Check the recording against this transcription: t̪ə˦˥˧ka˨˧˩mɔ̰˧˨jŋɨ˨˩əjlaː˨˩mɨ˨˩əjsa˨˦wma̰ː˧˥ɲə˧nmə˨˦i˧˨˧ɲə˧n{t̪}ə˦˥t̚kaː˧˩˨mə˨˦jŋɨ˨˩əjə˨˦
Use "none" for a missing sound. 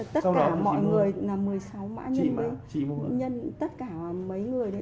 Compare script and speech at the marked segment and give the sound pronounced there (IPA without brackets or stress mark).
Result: t̪